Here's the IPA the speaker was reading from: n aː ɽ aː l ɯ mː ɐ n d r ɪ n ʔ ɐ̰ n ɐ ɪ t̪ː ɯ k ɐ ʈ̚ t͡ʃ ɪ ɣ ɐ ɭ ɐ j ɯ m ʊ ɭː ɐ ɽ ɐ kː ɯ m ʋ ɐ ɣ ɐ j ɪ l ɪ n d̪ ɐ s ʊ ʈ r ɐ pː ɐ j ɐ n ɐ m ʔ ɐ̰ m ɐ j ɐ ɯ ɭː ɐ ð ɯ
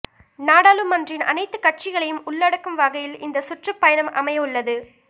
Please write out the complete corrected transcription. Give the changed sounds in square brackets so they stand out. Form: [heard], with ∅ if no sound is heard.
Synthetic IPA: n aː ɽ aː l ɯ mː ɐ n d r ɪ n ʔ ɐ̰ n ɐ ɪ t̪ː ɯ k ɐ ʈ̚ t͡ʃ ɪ ɣ ɐ ɭ ɐ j ɯ m ʊ ɭː ɐ ɽ ɐ kː ɯ m ʋ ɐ ɣ ɐ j ɪ l ɪ n d̪ ɐ s ʊ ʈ r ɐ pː ɐ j ɐ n ɐ m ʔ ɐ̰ m ɐ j ɐ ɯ ɭː ɐ ð ɯ